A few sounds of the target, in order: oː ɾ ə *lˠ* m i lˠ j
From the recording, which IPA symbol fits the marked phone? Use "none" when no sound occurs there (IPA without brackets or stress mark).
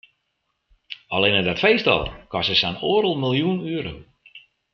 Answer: lˠ